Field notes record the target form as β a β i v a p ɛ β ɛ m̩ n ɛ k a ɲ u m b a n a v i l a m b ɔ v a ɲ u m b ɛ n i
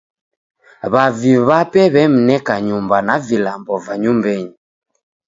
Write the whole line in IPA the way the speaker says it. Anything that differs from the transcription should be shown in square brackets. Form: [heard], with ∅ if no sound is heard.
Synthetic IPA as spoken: β a [v] i [β] a p ɛ β ɛ m̩ n ɛ k a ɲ u m b a n a v i l a m b ɔ v a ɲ u m b ɛ [ɲ] i

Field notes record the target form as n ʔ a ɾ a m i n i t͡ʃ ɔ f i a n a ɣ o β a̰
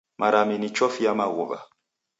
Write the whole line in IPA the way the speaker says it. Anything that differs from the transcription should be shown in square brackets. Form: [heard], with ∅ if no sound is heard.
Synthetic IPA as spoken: [m] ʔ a ɾ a m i n i t͡ʃ ɔ f i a [m] a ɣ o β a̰

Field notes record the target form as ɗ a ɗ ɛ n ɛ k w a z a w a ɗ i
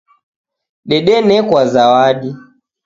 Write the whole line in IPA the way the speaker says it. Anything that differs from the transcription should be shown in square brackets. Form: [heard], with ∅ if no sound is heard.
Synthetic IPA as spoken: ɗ [ɛ] ɗ ɛ n ɛ k w a z a w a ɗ i

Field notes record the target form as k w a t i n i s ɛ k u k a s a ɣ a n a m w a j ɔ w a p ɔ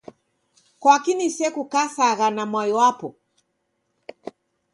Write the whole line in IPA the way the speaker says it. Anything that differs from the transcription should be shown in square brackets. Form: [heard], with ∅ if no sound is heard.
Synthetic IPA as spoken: k w a [k] i n i s ɛ k u k a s a ɣ a n a m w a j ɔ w a p ɔ

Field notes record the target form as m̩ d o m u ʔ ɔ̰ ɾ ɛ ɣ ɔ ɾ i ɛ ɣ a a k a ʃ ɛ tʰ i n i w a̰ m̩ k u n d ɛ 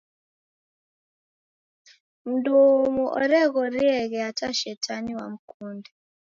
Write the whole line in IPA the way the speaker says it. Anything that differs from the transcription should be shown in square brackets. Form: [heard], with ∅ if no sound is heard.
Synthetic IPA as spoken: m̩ d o m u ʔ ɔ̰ ɾ ɛ ɣ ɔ ɾ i ɛ ɣ [ɛ] a [t] a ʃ ɛ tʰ [a] n i w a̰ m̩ k u n d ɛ

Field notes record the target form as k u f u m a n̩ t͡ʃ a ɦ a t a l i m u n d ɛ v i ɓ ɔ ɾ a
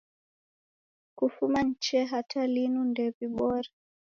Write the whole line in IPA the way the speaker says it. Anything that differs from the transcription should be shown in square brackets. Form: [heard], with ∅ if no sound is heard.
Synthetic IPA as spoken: k u f u m a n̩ t͡ʃ [ɛ] ɦ a t a l i [n] u n d ɛ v i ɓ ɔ ɾ a

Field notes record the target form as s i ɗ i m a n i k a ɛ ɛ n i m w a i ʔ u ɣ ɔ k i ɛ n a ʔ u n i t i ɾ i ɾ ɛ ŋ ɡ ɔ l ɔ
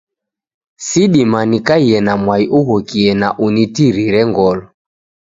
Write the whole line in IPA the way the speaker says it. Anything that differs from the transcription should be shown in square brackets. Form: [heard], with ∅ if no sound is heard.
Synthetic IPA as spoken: s i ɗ i m a n i k a [i] ɛ n [a] m w a i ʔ u ɣ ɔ k i ɛ n a ʔ u n i t i ɾ i ɾ ɛ ŋ ɡ ɔ l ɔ

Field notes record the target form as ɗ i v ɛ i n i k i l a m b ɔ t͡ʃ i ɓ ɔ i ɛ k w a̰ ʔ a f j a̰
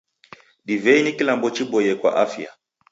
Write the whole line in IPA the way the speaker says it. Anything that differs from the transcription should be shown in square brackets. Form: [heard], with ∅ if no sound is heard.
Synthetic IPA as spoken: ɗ i v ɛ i n i k i l a m b ɔ t͡ʃ i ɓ ɔ [j] ɛ k w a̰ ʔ a f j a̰

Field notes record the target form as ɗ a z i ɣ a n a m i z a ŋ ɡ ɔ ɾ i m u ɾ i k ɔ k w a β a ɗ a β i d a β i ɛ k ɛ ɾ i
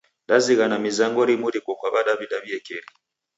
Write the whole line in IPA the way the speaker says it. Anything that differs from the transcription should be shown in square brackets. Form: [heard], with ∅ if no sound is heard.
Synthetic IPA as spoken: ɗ a z i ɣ a n a m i z a ŋ ɡ ɔ ɾ i m u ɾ i k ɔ k w a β a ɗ a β i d a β i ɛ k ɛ ɾ i

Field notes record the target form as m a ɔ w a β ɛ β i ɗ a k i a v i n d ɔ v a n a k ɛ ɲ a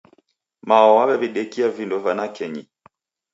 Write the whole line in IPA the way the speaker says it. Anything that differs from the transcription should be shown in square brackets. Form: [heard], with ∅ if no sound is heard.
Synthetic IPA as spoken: m a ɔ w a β ɛ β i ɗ [ɛ] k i a v i n d ɔ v a n a k ɛ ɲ [i]

